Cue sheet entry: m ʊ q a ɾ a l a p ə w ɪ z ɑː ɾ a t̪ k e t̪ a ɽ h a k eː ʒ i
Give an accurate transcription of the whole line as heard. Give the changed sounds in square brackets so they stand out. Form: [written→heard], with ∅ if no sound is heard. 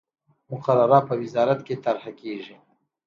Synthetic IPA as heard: m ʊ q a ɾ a [l→ɾ] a p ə w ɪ z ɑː ɾ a t̪ k e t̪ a [ɽ→ɾ] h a k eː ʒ i